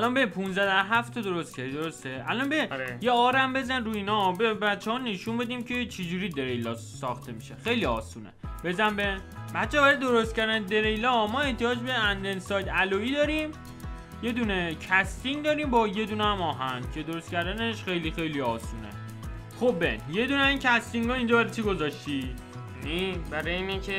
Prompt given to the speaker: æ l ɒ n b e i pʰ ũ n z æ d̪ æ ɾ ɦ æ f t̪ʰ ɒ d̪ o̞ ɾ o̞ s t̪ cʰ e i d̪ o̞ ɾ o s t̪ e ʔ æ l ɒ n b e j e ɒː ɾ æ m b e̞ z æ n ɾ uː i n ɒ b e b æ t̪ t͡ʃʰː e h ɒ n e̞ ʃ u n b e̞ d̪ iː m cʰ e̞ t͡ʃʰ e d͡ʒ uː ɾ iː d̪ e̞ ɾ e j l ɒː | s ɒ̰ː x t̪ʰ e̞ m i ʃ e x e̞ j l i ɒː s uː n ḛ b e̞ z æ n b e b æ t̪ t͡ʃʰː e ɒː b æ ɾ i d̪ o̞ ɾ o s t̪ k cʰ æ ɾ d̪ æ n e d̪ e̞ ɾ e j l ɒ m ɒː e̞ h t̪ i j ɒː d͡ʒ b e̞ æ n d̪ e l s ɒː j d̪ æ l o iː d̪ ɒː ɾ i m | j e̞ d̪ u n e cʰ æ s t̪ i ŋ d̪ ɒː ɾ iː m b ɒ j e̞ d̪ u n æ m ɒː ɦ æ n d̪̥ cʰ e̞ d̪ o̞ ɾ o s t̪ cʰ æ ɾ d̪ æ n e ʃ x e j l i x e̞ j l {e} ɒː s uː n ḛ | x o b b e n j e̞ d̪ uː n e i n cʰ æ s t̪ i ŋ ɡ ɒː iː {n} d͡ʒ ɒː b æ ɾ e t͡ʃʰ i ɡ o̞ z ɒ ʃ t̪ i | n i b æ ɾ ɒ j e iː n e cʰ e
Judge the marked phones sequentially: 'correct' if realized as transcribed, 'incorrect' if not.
incorrect: i, correct

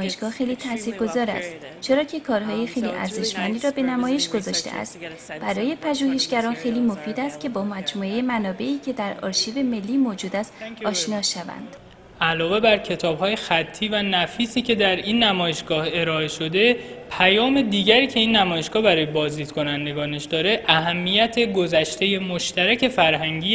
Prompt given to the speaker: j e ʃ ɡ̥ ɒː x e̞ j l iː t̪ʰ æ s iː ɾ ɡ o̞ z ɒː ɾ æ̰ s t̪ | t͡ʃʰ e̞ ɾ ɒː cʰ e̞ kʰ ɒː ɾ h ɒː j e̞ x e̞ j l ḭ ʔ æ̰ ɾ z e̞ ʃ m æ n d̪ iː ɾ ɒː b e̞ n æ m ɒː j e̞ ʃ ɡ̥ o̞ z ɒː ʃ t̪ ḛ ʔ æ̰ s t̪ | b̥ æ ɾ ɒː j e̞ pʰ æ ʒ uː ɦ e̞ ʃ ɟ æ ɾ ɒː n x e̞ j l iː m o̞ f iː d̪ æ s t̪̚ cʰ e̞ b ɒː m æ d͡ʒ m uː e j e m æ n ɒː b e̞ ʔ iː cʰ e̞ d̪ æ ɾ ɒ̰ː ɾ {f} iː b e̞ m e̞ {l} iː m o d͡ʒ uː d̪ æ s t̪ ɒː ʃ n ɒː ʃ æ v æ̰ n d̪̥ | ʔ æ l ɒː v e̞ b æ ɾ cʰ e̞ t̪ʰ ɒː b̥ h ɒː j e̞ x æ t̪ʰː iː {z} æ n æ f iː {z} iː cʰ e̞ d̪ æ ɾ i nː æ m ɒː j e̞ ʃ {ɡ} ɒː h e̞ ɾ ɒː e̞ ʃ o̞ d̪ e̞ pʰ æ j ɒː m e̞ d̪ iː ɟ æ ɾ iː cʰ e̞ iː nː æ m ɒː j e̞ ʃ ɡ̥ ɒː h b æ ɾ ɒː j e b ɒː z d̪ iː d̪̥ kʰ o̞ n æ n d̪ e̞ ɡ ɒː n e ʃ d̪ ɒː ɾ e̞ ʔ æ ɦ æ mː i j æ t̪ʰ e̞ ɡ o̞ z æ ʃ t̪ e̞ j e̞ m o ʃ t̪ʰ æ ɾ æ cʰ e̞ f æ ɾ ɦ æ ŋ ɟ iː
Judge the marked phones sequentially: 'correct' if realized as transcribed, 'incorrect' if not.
incorrect: ʃ, incorrect: lː, incorrect: v, incorrect: s, correct

